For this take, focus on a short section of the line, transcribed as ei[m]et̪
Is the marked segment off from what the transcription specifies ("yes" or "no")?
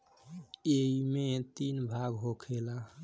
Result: no